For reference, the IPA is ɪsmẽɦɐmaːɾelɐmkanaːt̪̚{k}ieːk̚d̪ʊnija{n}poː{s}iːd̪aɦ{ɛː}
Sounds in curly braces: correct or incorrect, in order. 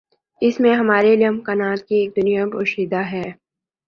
correct, incorrect: none, incorrect: ʃ, correct

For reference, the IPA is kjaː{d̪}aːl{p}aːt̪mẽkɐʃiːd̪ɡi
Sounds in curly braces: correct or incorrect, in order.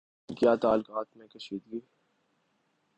incorrect: t̪, incorrect: k

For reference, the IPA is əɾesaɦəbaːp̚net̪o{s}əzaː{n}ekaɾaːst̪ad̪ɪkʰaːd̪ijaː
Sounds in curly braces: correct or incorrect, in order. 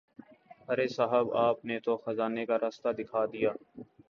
incorrect: x, correct

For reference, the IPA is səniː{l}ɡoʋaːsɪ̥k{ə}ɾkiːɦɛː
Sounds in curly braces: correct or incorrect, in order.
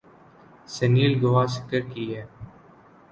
correct, correct

